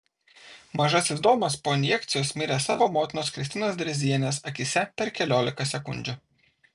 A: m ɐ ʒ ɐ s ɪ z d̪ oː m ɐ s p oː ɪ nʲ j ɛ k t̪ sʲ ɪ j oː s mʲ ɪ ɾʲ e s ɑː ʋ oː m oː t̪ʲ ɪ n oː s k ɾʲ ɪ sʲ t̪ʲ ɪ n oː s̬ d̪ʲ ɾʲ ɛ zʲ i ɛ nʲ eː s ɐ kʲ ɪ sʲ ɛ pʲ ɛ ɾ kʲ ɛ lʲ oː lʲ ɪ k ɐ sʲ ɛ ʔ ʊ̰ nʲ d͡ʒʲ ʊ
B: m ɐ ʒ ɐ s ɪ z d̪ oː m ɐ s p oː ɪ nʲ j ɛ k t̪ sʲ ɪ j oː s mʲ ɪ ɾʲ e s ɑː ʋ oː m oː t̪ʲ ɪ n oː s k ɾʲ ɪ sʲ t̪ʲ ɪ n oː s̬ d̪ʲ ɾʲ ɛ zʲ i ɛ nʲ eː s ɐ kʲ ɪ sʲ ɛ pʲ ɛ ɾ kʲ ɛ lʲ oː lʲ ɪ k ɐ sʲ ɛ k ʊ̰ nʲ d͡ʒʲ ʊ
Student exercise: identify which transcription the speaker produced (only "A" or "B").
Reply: B